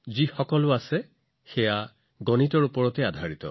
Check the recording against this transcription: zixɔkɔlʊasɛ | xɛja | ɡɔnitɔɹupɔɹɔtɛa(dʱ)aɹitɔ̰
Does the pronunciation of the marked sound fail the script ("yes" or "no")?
no